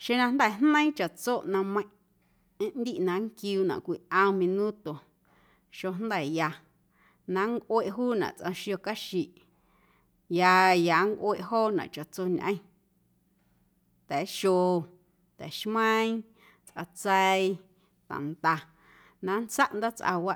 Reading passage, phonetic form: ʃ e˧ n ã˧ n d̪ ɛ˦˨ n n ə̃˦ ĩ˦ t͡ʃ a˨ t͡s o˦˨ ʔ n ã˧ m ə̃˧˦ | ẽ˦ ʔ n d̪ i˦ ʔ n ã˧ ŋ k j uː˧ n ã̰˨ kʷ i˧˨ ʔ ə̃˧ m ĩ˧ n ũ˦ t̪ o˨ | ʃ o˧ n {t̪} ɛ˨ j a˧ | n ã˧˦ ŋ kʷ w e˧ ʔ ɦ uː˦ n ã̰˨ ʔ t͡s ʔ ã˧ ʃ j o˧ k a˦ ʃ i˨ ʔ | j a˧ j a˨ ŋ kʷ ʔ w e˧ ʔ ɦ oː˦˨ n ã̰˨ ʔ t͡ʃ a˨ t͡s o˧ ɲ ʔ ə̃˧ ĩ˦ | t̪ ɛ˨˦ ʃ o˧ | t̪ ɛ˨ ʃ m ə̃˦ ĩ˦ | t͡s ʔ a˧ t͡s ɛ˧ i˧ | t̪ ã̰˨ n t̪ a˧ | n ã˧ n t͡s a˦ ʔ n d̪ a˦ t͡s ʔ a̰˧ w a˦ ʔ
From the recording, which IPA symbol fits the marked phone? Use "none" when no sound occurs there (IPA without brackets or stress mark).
d̪